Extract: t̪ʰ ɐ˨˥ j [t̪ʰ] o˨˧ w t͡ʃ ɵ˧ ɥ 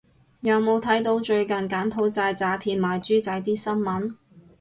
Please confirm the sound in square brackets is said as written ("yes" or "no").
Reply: no